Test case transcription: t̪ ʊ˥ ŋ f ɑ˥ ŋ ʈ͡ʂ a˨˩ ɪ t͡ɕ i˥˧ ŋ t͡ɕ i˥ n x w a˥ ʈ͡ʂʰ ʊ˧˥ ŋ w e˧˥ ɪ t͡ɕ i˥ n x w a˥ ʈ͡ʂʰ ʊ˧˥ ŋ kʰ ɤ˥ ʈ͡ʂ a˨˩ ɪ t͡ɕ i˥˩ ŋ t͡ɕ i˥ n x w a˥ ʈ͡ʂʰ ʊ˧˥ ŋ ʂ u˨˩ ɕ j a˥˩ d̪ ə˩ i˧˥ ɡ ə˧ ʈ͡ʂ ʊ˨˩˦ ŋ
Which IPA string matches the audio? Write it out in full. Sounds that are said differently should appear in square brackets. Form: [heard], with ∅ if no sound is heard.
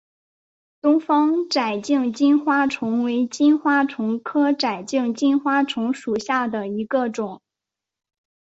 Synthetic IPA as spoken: t̪ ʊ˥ ŋ f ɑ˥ ŋ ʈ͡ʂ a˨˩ ɪ t͡ɕ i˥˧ ŋ t͡ɕ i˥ n x w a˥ ʈ͡ʂʰ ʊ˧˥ ŋ w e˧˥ ɪ t͡ɕ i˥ n x w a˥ ʈ͡ʂʰ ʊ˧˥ ŋ kʰ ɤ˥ ʈ͡ʂ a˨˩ ɪ t͡ɕ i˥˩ ŋ t͡ɕ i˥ n x w a˥ ʈ͡ʂʰ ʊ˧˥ ŋ ʂ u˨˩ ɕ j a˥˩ d̪ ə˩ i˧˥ ɡ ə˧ ʈ͡ʂ ʊ˨˩˦ ŋ